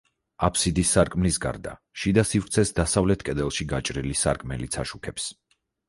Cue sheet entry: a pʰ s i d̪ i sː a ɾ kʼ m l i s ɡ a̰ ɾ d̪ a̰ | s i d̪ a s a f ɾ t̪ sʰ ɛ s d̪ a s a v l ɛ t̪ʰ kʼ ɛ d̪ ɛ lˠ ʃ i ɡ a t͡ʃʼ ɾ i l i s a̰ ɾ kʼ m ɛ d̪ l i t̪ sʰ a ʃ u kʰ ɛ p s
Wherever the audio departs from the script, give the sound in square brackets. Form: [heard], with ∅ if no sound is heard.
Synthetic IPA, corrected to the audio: a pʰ s i d̪ i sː a ɾ kʼ m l i s ɡ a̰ ɾ d̪ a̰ | [ʃ] i d̪ a s [i] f ɾ t̪ sʰ ɛ s d̪ a s a v l ɛ t̪ʰ kʼ ɛ d̪ ɛ lˠ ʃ i ɡ a t͡ʃʼ ɾ i l i s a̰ ɾ kʼ m ɛ [∅] l i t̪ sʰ a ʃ u kʰ ɛ p s